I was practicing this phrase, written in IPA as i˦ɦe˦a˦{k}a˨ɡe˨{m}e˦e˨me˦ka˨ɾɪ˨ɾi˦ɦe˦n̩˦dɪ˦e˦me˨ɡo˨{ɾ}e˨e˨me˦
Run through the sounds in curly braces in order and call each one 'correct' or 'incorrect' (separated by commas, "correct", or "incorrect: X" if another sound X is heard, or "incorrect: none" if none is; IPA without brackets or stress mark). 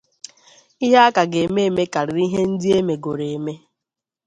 correct, correct, correct